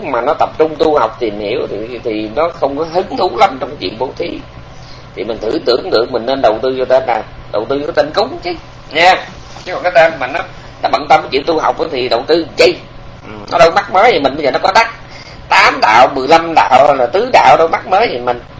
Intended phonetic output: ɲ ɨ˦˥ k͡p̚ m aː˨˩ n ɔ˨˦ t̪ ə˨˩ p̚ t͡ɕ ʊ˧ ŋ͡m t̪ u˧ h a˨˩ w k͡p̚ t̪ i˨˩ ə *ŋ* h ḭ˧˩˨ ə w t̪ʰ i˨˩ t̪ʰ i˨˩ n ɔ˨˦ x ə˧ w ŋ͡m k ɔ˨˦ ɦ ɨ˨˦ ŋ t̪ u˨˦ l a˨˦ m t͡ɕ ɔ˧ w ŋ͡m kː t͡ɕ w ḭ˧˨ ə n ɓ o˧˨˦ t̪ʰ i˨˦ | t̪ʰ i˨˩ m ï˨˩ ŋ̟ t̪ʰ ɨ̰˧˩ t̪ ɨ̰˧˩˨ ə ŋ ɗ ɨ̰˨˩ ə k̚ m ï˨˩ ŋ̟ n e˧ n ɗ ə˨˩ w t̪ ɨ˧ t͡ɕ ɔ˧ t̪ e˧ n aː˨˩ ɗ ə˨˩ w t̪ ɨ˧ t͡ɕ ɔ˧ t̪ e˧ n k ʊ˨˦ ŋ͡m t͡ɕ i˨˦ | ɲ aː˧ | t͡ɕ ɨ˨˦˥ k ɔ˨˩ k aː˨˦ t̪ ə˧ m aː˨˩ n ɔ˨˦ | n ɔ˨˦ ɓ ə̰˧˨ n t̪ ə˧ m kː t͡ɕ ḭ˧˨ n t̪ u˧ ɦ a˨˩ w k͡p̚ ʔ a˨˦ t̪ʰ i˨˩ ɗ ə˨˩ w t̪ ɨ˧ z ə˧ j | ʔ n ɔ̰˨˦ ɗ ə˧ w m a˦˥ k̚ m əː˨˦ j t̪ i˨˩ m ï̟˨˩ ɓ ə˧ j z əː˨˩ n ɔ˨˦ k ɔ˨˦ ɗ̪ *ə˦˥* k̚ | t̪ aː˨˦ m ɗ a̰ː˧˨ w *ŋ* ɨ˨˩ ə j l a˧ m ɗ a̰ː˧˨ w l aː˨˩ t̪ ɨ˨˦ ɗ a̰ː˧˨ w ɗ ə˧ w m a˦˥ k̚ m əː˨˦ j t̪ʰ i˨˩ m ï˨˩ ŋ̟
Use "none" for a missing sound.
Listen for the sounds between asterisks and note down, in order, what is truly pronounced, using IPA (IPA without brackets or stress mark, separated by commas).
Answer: m, a˦˥, m